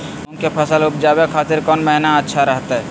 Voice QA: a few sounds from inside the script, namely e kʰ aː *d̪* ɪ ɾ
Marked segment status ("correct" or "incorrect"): incorrect